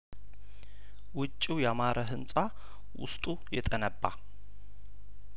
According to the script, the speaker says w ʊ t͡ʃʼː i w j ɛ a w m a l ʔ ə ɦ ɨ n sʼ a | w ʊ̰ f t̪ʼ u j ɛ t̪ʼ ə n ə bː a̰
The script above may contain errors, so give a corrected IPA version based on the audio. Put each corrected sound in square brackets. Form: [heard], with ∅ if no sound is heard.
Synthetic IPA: w ʊ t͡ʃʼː i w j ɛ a [∅] m a [ɾ] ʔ ə ɦ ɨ n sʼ a | w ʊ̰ [s] t̪ʼ u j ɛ t̪ʼ ə n ə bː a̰